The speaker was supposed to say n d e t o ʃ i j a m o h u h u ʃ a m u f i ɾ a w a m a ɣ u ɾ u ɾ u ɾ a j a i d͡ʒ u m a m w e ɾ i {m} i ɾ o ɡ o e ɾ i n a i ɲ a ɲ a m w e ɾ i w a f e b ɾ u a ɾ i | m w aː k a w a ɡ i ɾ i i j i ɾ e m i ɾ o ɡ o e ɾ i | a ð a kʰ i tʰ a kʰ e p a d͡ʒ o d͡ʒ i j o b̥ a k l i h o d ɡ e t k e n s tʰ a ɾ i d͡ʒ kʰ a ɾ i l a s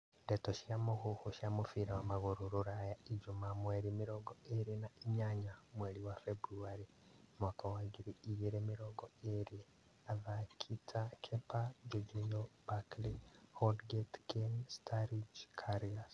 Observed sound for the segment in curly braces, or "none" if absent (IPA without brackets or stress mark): m